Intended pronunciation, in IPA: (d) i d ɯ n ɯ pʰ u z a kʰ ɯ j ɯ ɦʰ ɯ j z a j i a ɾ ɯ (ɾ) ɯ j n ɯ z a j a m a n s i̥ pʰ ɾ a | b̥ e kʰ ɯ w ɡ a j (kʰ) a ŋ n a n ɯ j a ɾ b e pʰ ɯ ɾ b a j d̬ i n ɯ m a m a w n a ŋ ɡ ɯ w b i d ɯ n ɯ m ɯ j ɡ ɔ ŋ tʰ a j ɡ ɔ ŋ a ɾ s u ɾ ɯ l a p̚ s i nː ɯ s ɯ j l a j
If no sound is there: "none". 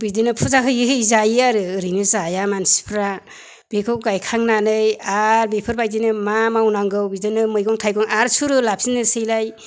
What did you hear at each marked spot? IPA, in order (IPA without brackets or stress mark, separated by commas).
b, ɾ, kʰ